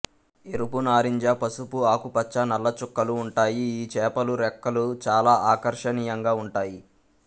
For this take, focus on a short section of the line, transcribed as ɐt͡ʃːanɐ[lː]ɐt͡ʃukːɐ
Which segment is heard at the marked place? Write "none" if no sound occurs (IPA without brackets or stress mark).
lː